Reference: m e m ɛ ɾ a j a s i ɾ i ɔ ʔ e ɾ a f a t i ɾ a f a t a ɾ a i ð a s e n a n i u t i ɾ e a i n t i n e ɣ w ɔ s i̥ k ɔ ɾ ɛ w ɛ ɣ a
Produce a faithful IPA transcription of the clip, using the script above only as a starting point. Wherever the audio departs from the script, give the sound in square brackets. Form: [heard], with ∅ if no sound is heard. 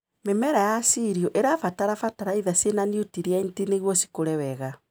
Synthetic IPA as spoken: m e m ɛ ɾ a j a s i ɾ i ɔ ʔ e ɾ a f a t [a] ɾ a f a t a ɾ a i ð a s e n a n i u t i ɾ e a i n t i n e ɣ w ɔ s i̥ k [o] ɾ ɛ w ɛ ɣ a